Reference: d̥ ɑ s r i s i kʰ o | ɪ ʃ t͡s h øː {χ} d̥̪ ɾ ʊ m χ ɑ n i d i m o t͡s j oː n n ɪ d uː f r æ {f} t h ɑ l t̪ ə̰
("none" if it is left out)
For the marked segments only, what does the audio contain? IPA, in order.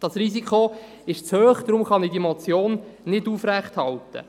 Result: χ, χ

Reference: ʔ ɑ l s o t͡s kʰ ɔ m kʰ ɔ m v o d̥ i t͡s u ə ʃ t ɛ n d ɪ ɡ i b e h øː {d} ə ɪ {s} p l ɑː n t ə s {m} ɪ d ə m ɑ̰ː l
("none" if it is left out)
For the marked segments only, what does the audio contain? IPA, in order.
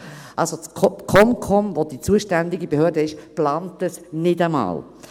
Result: d, ʃ, n

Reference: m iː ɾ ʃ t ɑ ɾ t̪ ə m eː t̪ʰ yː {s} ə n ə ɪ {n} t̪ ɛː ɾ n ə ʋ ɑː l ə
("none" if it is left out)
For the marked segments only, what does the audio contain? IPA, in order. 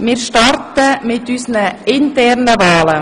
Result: s, n

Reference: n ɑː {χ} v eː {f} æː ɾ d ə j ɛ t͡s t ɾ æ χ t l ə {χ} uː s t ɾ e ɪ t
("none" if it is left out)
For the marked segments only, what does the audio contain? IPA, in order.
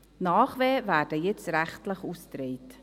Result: χ, v, χ

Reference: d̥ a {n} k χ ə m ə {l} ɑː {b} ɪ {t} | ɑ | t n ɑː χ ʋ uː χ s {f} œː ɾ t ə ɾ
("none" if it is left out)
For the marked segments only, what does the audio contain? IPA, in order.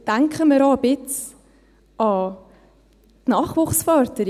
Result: ŋ, ɾ, b, t͡s, f

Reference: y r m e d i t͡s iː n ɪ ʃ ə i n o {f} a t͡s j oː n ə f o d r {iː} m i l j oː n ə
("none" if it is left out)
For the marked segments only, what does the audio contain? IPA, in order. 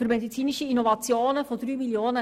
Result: v, yː

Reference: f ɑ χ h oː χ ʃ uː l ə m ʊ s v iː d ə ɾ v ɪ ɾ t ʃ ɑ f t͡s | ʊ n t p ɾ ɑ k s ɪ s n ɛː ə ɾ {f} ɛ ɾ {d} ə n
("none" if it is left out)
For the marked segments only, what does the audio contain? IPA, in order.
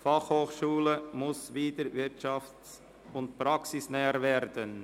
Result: v, d

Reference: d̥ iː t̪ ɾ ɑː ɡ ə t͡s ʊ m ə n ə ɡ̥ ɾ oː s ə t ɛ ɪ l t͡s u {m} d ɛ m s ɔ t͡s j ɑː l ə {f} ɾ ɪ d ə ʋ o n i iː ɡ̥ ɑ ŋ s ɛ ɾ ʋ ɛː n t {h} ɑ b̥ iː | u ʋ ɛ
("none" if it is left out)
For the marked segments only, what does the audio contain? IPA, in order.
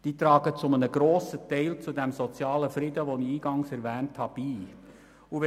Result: none, f, h

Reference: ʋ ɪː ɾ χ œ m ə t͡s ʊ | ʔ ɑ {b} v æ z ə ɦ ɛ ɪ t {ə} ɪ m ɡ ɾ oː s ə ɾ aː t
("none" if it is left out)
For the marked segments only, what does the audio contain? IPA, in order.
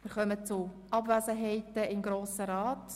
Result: b, ə

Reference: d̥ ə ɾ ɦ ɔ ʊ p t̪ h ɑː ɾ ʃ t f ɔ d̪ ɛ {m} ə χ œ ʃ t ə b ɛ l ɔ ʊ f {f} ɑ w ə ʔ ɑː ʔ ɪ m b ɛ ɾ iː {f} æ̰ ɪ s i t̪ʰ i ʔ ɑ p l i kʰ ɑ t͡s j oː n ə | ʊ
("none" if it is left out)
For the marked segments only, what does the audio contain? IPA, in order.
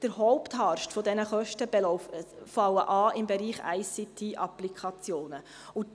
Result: n, f, χ

